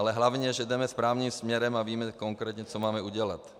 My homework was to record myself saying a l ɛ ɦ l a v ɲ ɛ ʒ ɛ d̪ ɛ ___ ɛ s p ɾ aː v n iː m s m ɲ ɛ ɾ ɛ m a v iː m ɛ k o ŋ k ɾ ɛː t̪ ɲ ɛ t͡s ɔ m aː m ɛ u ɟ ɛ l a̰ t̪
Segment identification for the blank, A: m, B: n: A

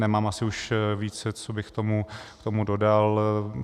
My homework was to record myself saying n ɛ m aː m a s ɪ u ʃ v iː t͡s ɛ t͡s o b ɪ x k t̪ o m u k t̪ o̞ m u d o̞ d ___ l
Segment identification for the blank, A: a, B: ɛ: A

